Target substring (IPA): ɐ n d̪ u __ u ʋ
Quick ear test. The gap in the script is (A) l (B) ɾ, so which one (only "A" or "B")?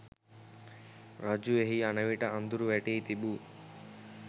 B